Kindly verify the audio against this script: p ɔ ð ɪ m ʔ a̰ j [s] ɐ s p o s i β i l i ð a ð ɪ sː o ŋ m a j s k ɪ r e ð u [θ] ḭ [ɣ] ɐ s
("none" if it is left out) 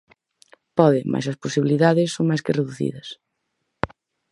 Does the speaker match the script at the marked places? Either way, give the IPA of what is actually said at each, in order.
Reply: s, θ, ð

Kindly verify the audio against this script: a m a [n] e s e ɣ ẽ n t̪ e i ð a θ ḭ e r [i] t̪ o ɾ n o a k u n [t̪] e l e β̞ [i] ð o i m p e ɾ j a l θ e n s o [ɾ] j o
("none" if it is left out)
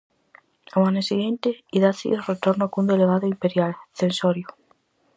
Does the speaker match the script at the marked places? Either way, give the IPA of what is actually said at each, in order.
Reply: n, e, d̪, a, ɾ

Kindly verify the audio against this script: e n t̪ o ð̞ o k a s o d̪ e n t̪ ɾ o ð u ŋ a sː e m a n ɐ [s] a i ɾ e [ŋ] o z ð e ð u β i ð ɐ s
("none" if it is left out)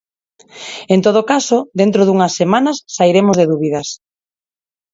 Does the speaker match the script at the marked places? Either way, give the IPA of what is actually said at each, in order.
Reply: sː, m

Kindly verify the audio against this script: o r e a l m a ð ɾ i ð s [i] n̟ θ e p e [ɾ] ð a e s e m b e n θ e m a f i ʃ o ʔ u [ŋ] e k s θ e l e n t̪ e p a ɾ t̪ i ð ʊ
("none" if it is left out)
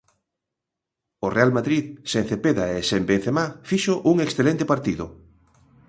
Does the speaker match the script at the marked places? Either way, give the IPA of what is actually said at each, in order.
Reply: e, none, ŋ

